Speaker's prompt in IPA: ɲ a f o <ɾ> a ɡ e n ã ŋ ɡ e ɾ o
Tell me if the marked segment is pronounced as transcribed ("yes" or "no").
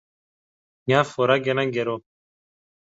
yes